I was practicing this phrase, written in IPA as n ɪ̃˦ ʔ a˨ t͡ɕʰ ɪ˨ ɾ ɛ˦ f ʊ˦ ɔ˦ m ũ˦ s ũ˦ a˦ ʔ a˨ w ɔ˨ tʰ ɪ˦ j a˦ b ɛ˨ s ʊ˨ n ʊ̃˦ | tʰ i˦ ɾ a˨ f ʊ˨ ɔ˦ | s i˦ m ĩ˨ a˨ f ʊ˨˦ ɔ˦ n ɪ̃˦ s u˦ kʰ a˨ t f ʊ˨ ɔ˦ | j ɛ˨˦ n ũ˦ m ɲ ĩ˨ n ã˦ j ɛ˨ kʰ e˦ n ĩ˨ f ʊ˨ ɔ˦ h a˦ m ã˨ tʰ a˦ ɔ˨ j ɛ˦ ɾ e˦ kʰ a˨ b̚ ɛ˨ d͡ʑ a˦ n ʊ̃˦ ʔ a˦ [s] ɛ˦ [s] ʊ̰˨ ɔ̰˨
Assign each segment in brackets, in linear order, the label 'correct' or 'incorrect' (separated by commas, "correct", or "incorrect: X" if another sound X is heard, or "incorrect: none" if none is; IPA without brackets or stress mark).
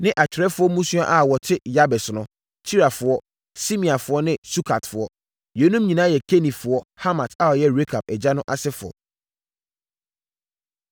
correct, incorrect: f